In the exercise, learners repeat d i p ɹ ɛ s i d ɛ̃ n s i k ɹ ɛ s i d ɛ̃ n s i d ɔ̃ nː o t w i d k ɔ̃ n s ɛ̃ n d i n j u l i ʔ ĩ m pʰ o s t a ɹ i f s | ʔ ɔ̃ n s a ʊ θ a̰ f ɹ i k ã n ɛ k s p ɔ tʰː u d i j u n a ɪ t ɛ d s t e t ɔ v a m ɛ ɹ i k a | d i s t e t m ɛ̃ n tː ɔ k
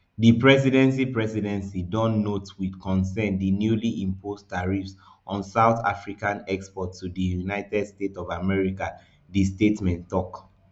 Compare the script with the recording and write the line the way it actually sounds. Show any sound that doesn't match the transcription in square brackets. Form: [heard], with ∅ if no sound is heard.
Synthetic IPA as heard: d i p ɹ ɛ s i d ɛ̃ n s i [p] ɹ ɛ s i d ɛ̃ n s i d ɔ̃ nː o t w i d k ɔ̃ n s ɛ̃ n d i n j u l i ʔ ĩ m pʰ o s t a ɹ i f s | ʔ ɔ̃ n s a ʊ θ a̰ f ɹ i k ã n ɛ k s p ɔ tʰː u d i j u n a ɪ t ɛ d s t e t ɔ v a m ɛ ɹ i k a | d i s t e t m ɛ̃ n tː ɔ k